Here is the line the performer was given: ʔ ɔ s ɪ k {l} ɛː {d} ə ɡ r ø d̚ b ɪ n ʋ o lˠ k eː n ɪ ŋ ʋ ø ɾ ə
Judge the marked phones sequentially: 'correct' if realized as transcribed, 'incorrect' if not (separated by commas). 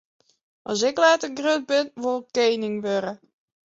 correct, incorrect